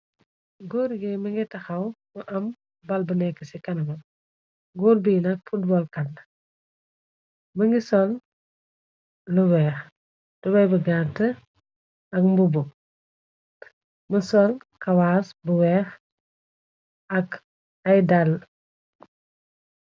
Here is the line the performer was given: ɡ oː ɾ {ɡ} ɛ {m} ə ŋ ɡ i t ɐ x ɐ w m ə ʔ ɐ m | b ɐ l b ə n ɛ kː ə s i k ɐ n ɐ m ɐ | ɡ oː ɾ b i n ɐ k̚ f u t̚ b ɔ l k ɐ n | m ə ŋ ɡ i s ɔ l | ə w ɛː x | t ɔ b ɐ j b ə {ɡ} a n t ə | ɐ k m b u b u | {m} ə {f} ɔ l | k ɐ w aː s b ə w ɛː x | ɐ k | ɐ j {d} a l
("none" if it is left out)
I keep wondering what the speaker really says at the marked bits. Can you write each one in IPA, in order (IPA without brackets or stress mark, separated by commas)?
ɡ, m, ɡ, m, s, d